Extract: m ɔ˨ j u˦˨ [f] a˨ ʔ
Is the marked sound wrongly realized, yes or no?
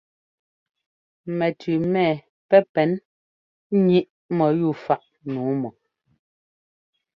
no